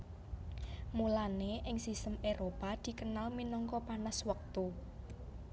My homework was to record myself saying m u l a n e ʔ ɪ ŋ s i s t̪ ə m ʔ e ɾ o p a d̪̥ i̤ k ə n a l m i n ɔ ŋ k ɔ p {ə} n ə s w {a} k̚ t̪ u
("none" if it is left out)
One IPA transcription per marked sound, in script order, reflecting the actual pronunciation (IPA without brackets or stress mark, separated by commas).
a, ə